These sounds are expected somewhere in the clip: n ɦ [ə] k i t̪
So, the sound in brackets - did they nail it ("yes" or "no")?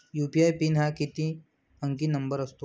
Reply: no